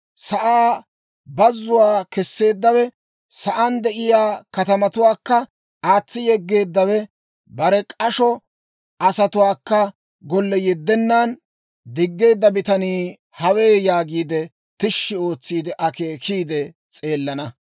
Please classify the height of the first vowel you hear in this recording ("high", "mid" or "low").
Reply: low